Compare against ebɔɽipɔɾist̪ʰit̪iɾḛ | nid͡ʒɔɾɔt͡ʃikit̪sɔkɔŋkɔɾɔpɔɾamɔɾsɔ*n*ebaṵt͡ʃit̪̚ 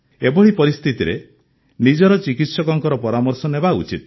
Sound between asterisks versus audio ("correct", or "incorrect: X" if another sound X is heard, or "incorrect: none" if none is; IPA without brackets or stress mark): correct